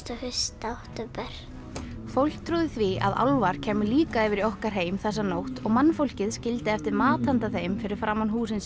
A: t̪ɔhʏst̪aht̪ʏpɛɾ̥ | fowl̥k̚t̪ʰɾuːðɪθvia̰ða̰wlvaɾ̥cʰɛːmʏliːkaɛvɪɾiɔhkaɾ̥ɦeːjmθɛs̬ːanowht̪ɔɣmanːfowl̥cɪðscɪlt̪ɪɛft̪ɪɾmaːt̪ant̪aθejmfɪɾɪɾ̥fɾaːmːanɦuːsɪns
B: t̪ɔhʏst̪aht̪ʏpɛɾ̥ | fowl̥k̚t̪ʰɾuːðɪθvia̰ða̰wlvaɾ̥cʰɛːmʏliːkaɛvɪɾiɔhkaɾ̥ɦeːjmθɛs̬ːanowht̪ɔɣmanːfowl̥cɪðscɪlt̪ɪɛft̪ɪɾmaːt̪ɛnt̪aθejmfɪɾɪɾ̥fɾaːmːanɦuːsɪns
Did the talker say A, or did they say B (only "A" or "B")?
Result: A